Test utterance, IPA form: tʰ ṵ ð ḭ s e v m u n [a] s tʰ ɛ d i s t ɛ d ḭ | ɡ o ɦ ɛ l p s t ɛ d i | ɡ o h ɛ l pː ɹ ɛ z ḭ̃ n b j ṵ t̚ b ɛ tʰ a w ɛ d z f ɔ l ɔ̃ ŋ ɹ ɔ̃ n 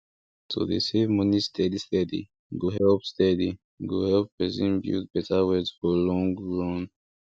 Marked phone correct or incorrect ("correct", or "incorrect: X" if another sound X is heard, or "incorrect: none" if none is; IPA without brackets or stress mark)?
incorrect: i